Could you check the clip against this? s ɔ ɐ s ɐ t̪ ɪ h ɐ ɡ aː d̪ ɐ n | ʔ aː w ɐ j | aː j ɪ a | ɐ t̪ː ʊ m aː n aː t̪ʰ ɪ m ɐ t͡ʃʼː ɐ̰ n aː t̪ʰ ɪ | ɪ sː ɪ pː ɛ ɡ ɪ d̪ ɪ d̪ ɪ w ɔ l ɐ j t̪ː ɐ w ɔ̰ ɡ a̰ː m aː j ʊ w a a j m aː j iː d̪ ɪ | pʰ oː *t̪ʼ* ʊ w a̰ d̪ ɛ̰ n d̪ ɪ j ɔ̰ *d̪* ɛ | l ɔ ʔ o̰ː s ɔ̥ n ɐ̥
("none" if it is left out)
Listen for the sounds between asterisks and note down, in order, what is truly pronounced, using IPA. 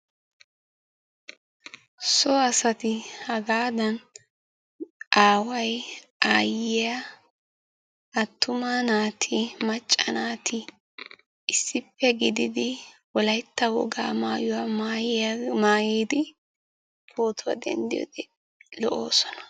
t̪, d̪

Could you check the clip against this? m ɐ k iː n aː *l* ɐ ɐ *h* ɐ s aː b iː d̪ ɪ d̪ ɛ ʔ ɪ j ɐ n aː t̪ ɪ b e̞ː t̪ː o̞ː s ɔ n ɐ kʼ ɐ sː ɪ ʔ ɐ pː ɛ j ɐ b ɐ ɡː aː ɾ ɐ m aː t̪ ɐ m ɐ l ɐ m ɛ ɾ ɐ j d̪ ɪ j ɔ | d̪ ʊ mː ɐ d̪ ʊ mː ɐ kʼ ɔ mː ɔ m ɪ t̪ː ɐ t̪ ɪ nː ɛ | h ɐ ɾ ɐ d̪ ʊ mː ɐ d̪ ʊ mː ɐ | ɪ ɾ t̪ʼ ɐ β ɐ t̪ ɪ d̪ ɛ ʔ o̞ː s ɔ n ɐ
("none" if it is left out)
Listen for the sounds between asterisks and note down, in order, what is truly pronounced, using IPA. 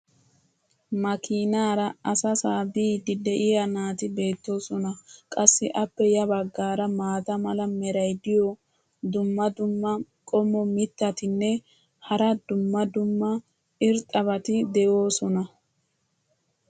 ɾ, s

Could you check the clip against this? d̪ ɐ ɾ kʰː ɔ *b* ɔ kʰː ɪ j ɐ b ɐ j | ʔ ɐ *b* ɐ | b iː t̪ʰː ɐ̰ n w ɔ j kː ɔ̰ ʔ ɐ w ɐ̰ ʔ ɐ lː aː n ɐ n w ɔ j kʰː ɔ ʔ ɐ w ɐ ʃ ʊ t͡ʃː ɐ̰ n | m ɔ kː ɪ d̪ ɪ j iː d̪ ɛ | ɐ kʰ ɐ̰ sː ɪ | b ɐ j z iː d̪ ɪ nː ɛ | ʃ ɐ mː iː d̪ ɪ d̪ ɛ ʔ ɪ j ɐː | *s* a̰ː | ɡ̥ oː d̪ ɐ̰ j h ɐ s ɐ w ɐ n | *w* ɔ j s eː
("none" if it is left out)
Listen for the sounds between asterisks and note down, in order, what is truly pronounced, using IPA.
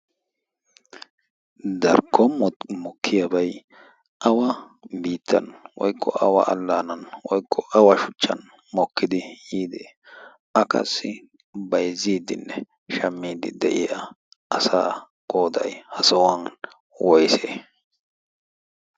m, w, s, w

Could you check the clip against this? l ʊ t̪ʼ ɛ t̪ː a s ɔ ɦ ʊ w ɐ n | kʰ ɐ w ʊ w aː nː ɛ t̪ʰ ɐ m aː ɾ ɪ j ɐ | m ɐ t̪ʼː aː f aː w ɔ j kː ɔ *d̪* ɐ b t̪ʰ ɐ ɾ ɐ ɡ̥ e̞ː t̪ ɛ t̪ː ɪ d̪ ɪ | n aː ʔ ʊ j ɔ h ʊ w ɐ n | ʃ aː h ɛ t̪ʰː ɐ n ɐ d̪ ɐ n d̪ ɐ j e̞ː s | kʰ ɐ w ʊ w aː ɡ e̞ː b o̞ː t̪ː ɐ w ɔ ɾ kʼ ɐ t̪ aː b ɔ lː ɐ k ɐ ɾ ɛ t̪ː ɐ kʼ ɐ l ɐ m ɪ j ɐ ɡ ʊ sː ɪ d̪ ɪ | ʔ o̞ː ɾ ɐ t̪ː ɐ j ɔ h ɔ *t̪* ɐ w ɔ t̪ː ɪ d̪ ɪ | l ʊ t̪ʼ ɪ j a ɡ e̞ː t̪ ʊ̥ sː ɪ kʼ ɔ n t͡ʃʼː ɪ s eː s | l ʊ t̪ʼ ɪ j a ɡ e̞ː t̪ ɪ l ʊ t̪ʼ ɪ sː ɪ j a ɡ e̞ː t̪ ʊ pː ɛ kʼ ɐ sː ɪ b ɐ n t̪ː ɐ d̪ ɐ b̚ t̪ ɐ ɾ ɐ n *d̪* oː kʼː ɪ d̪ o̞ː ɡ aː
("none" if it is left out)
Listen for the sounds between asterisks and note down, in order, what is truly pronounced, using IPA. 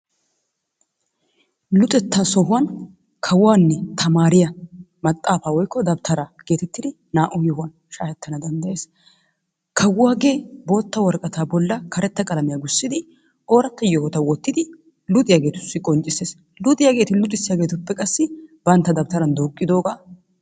d̪, t̪, d̪

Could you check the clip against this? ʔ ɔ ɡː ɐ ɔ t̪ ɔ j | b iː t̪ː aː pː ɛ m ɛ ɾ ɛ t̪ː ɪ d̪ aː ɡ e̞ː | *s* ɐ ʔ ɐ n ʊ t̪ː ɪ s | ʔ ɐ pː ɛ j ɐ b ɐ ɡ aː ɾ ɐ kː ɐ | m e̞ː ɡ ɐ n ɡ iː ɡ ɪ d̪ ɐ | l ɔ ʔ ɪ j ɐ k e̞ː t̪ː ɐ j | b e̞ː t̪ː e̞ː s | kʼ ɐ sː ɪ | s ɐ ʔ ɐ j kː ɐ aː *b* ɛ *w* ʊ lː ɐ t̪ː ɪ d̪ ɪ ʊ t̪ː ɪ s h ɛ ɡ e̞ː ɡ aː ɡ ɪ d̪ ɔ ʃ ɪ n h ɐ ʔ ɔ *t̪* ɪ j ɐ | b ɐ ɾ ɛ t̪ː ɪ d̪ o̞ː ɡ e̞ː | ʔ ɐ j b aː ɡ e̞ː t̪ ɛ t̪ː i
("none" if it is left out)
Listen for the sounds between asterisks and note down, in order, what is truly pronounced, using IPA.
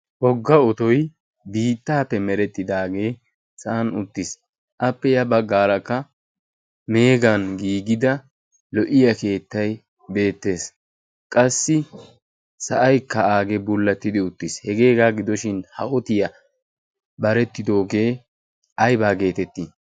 s, ɡ, b, t̪

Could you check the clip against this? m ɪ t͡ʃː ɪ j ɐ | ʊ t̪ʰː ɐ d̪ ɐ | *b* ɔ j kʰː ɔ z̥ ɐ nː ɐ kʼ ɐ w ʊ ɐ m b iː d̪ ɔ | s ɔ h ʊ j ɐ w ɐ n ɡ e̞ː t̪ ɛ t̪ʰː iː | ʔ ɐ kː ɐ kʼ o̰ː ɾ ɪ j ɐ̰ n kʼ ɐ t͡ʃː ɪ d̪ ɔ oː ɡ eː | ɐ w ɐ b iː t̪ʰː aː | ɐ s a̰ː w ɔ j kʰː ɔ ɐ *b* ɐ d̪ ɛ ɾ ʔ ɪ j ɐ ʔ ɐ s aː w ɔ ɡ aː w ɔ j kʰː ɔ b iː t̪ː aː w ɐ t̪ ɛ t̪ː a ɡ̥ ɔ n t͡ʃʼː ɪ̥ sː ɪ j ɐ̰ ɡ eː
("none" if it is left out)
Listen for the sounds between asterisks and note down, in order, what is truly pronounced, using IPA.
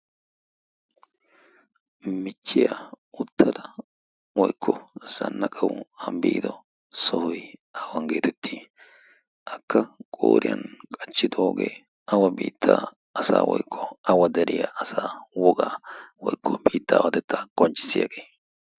w, w

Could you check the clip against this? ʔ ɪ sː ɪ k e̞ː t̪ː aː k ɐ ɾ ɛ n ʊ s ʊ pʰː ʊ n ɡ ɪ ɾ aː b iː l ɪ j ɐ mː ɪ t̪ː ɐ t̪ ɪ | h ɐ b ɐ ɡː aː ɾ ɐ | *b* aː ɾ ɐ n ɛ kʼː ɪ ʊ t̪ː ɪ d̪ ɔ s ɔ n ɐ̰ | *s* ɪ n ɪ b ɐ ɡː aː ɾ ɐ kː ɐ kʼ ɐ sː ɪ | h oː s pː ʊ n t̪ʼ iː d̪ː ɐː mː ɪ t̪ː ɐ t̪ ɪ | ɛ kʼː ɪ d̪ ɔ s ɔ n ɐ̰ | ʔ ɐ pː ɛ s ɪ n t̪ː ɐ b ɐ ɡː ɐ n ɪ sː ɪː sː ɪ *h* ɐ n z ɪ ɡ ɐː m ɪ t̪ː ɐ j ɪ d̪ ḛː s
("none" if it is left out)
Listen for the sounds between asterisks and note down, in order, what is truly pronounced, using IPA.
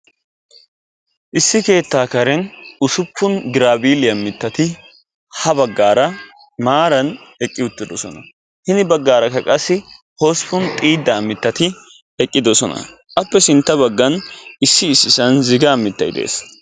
m, h, s

